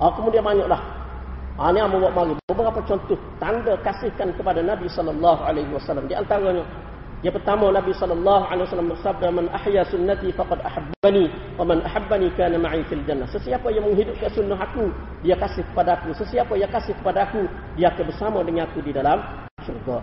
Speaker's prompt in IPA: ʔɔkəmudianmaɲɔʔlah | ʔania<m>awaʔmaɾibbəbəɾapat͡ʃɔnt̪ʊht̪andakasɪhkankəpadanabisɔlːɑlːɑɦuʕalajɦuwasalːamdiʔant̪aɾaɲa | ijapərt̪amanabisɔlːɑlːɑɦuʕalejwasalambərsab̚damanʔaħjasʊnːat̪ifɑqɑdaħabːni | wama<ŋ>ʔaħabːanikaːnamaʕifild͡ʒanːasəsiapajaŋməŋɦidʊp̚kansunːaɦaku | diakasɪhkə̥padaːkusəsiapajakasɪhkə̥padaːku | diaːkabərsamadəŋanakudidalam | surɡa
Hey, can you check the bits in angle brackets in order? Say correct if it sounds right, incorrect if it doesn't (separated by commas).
correct, incorrect